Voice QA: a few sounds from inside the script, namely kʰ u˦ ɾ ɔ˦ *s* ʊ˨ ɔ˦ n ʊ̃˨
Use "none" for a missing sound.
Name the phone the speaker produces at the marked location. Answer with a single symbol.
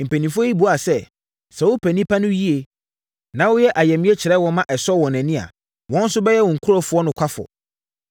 f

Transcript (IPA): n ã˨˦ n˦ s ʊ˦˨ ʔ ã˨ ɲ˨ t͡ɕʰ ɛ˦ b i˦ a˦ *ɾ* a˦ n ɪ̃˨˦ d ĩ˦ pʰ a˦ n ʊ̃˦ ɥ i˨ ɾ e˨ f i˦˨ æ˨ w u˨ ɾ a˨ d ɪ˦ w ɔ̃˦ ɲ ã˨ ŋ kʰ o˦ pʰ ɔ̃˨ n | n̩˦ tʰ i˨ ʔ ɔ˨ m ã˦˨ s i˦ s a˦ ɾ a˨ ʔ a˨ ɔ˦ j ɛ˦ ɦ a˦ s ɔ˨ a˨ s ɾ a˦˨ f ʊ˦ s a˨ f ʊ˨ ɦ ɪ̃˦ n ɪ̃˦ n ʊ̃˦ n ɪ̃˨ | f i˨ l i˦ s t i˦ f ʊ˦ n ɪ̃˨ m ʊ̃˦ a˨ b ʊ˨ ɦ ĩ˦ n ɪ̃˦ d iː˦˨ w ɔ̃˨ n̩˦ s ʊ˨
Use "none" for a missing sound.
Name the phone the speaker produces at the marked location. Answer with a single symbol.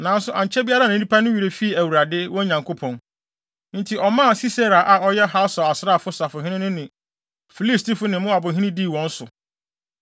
ɾ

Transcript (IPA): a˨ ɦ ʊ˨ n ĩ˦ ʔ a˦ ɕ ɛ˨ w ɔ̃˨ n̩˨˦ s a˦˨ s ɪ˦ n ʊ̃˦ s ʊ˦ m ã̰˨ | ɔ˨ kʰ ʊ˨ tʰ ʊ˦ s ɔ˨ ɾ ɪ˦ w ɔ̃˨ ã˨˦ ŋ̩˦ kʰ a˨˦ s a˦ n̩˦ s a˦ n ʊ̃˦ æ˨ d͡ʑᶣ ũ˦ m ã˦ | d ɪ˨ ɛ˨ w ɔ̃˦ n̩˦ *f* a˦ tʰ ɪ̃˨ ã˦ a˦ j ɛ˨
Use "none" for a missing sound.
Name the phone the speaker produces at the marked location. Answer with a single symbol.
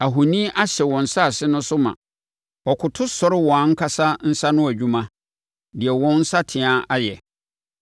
s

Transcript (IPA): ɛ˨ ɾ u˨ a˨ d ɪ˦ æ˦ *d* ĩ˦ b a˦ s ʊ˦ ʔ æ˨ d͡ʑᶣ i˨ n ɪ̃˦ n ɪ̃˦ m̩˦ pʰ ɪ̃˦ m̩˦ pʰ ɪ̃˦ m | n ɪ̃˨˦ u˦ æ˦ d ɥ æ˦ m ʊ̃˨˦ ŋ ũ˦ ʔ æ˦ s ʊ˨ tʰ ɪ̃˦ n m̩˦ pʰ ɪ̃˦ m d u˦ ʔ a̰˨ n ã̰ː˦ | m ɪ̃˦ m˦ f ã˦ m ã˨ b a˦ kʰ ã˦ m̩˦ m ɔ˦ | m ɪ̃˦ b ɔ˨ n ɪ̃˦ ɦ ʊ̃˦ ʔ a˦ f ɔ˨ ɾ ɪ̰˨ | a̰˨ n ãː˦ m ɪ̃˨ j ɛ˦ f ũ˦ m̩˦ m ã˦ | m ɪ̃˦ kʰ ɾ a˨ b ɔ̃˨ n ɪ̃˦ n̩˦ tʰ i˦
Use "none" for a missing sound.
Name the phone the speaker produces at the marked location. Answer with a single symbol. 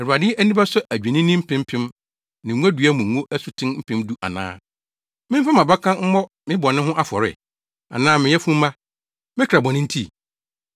n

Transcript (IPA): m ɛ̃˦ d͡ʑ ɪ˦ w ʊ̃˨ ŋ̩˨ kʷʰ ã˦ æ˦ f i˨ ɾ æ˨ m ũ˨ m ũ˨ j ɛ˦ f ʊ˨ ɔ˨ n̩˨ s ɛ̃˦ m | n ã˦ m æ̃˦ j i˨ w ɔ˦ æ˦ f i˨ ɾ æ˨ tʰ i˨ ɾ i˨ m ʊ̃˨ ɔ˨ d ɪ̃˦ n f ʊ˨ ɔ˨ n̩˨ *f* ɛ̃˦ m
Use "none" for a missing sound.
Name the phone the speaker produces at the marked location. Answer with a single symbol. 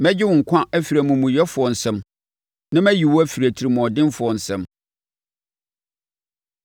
s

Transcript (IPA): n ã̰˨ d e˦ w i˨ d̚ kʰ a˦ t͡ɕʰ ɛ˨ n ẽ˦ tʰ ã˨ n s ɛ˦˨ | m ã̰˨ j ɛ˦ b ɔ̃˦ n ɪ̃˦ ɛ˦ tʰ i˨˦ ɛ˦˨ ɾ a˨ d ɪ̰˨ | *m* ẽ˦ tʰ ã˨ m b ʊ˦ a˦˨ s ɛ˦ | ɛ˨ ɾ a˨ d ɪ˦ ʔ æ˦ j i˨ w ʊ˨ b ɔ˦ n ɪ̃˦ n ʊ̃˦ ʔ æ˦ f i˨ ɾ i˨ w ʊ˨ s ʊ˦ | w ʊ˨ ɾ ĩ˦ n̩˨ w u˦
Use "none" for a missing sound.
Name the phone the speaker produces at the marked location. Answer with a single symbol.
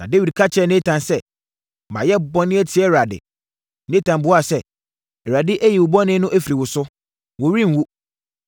n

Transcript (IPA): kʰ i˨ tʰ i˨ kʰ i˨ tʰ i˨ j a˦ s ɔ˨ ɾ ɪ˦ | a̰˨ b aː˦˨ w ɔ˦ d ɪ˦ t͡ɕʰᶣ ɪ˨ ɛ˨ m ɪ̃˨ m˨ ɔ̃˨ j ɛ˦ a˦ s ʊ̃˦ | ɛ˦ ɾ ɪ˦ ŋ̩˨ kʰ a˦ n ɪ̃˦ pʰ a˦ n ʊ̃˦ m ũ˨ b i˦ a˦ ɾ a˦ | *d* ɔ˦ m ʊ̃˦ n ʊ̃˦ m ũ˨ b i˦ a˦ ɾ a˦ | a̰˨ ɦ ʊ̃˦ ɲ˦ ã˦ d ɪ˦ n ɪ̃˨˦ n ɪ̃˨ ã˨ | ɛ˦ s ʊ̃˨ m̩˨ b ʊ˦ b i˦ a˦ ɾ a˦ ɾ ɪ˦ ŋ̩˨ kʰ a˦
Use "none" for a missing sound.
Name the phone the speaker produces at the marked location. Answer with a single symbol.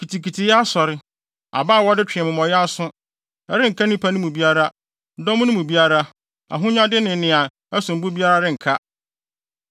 d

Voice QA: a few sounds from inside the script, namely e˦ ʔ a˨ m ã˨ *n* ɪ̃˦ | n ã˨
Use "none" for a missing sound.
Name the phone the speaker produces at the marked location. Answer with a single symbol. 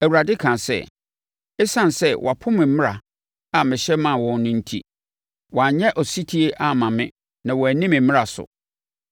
m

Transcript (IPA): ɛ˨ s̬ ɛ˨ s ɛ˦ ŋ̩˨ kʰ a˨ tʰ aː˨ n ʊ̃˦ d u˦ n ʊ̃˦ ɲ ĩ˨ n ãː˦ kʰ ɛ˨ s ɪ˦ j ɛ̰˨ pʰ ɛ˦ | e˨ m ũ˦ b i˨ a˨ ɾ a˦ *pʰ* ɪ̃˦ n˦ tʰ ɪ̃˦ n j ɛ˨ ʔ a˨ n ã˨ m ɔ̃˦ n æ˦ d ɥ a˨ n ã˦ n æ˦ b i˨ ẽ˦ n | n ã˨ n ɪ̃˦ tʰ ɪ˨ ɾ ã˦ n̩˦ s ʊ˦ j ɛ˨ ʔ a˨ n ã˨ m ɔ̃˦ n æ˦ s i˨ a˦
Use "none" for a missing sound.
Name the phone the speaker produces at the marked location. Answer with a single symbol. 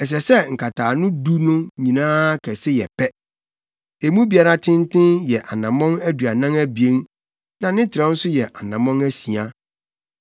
tʰ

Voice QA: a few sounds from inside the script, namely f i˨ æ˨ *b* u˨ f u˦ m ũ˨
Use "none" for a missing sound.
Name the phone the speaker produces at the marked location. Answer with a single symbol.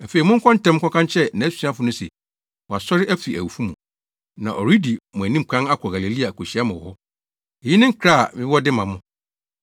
w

